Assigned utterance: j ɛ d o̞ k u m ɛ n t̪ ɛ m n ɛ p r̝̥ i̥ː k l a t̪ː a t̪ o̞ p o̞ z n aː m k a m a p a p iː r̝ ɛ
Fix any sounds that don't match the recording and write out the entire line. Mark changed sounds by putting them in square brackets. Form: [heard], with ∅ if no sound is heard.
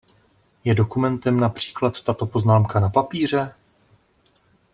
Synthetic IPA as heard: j ɛ d o̞ k u m ɛ n t̪ ɛ m n [a] p r̝̥ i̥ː k l a t̪ː a t̪ o̞ p o̞ z n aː m k a [n] a p a p iː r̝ ɛ